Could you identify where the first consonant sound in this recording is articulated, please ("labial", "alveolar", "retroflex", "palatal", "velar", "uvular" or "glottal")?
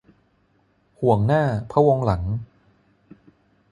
glottal